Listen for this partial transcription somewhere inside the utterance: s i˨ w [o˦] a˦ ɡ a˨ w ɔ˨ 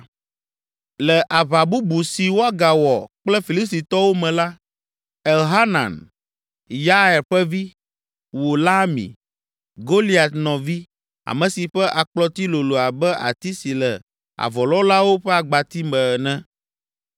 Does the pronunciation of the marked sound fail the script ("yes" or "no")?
no